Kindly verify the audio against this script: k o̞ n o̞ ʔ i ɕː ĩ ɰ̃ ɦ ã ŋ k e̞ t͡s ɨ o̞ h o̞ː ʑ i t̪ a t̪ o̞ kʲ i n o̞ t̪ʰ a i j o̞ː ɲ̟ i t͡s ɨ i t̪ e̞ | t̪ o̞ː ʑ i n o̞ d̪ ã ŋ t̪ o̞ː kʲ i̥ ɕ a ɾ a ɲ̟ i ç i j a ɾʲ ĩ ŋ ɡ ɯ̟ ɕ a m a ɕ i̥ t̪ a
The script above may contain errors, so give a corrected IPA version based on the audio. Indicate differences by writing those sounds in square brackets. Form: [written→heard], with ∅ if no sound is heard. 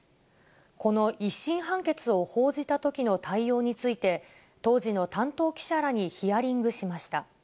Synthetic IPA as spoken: k o̞ n o̞ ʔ i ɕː ĩ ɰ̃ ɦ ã ŋ k e̞ t͡s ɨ o̞ h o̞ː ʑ i t̪ a t̪ o̞ kʲ i n o̞ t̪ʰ a i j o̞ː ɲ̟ i t͡s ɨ i t̪ e̞ | t̪ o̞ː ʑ i n o̞ [d̪→t̪] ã [ŋ→n] t̪ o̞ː kʲ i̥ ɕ a ɾ a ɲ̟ i ç i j a ɾʲ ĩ ŋ ɡ ɯ̟ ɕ [a→i] m a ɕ i̥ t̪ a